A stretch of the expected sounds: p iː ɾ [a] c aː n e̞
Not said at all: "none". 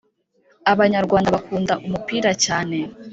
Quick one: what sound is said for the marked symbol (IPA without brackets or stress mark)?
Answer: a